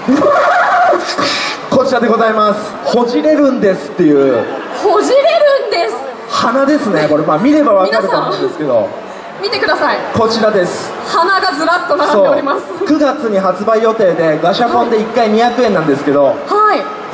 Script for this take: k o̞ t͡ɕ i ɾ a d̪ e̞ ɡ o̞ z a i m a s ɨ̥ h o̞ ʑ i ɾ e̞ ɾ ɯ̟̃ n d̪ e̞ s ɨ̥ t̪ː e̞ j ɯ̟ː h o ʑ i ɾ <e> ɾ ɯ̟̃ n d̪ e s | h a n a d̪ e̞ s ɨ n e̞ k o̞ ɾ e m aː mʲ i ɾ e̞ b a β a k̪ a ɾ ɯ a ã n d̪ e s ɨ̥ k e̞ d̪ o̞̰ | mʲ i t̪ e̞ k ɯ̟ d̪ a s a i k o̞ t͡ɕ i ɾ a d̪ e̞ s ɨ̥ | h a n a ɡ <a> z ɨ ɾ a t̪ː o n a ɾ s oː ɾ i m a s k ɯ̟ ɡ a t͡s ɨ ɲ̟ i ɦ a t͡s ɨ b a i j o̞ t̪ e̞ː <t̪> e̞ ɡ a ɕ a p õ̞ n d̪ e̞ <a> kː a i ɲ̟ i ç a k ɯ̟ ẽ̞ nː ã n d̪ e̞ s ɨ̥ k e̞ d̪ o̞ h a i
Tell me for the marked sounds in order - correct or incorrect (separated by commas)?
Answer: correct, correct, incorrect, incorrect